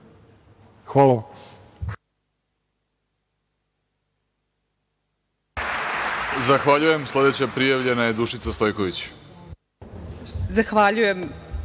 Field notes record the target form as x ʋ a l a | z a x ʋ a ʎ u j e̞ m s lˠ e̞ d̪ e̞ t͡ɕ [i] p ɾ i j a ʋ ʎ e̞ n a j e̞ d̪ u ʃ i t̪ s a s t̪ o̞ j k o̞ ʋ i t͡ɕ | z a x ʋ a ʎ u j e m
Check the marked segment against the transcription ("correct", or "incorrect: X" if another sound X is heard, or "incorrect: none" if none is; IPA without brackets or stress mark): incorrect: a